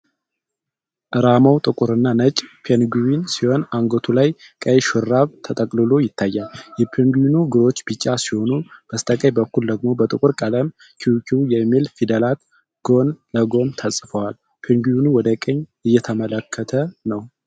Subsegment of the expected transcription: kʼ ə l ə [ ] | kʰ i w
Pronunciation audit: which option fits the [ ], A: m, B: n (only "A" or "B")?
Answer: A